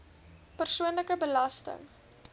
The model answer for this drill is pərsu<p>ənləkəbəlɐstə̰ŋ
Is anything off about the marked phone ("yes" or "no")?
yes